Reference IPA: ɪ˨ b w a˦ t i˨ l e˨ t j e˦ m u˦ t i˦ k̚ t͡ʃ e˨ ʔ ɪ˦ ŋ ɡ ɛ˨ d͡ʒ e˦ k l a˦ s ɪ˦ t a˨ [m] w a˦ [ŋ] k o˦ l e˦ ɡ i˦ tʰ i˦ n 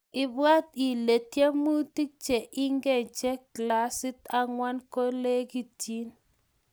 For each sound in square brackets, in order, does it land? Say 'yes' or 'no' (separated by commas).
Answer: no, no